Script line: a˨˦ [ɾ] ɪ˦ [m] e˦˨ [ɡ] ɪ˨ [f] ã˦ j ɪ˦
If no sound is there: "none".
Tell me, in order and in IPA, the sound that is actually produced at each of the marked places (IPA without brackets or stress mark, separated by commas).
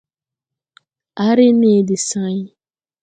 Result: ɾ, n, d, s